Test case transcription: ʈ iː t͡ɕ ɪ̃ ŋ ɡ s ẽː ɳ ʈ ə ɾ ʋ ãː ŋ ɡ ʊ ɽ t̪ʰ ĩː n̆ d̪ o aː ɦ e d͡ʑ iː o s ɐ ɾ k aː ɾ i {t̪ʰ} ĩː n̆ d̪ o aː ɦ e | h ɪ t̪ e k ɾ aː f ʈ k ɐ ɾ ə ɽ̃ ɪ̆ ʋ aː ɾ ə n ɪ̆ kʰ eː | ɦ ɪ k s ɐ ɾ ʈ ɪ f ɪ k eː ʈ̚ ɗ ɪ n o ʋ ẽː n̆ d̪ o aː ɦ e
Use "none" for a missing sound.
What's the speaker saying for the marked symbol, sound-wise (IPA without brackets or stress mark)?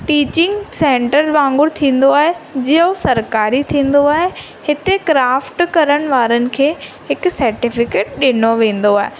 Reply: t̪ʰ